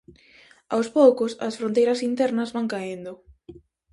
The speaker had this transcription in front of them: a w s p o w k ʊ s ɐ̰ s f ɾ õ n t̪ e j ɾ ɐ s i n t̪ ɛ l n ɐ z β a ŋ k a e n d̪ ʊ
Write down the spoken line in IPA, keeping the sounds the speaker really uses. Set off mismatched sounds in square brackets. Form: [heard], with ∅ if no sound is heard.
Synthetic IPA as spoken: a w s p o w k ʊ s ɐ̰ s f ɾ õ n t̪ e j ɾ ɐ s i n t̪ ɛ [ɾ] n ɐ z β a ŋ k a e n d̪ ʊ